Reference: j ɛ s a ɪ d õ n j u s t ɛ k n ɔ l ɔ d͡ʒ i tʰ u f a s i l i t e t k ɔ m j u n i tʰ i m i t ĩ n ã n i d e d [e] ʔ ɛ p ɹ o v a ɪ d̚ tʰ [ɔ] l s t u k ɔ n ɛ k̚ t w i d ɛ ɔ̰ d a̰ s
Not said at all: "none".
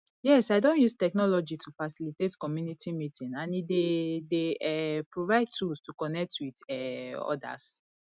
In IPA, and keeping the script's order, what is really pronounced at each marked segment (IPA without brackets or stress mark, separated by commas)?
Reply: e, u